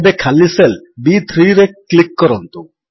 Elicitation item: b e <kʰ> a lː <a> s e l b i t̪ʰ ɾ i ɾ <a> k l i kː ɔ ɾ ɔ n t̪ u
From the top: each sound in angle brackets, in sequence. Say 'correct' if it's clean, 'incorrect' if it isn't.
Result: correct, incorrect: i, incorrect: e

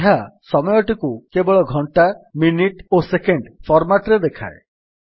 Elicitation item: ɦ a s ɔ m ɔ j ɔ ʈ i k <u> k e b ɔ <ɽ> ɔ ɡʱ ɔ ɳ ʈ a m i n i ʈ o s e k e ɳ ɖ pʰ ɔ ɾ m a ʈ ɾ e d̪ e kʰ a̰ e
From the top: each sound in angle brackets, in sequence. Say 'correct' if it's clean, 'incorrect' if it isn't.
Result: correct, incorrect: ɭ

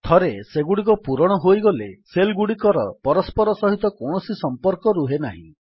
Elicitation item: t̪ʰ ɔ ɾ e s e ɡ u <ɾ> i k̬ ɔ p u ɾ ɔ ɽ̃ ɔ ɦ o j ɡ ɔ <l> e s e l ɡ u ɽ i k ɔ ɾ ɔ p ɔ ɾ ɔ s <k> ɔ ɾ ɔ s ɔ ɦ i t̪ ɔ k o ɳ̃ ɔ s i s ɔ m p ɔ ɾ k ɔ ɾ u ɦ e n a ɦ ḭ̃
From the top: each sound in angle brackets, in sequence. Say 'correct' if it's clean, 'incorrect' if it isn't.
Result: incorrect: ɽ, correct, incorrect: p

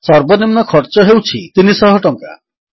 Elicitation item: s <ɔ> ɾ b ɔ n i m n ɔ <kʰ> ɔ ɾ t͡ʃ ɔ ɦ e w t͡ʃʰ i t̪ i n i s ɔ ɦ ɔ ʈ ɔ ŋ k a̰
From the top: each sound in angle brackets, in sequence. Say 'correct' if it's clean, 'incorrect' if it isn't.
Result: correct, correct

